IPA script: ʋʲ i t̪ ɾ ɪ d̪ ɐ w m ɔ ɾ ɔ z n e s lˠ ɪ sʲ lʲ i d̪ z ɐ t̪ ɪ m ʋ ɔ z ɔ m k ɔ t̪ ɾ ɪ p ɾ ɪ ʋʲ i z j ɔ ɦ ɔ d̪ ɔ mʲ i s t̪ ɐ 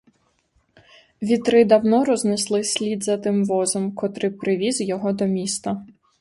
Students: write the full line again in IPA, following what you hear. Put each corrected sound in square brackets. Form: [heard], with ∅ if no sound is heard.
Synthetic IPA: ʋʲ i t̪ ɾ ɪ d̪ ɐ w [n] ɔ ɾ ɔ z n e s lˠ ɪ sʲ lʲ i d̪ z ɐ t̪ ɪ m ʋ ɔ z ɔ m k ɔ t̪ ɾ ɪ p ɾ ɪ ʋʲ i z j ɔ ɦ ɔ d̪ ɔ mʲ i s t̪ ɐ